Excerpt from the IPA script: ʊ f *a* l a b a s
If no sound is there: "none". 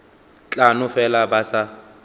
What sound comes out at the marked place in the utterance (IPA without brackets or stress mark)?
ɛ